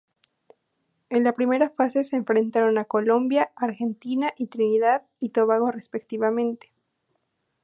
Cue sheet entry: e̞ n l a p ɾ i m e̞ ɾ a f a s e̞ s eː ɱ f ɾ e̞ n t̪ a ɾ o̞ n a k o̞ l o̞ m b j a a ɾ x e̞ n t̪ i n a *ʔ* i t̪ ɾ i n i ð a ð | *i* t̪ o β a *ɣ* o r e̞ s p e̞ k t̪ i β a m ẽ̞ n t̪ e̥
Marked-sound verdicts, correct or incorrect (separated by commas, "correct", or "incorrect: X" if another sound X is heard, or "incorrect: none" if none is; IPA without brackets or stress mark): correct, correct, correct